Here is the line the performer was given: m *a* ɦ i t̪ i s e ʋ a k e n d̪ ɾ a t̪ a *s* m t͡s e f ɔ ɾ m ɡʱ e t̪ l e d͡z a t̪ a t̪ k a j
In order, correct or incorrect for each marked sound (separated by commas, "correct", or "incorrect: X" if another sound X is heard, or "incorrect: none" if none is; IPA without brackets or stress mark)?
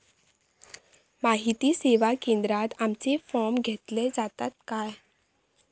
correct, incorrect: none